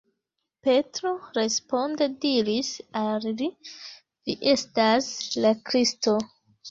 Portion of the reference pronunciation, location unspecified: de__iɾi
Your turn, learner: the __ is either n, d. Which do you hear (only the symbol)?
d